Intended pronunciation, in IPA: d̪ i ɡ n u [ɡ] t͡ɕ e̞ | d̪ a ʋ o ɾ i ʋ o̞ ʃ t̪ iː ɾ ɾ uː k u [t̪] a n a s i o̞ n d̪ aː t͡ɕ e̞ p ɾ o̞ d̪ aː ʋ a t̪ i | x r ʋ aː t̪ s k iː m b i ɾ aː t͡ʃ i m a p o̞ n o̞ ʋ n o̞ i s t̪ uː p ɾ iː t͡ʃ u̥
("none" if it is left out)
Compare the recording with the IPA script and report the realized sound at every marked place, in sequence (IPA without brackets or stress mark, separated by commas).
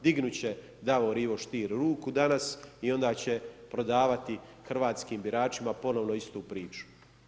none, d̪